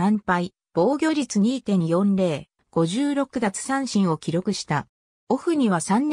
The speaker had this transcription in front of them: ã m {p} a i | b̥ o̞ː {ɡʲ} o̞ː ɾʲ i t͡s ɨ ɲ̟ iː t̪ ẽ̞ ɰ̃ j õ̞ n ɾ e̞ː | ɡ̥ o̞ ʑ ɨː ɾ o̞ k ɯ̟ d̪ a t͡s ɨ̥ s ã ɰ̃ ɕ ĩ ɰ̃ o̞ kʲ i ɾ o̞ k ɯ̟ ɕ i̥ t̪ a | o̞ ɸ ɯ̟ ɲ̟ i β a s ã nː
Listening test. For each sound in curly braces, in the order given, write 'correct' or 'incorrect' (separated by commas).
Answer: correct, correct